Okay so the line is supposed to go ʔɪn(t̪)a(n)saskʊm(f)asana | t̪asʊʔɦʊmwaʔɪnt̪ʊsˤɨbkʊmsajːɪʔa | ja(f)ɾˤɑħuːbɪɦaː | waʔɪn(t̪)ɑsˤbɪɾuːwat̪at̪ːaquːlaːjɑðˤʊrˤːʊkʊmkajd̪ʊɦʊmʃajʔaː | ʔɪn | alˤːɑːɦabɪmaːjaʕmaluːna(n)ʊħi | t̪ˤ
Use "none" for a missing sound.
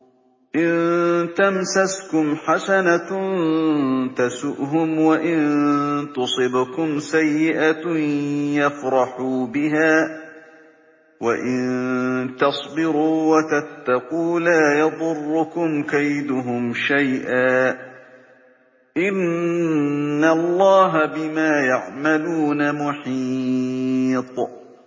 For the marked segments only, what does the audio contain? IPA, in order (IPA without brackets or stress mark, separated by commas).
t̪, m, ħ, f, t̪, m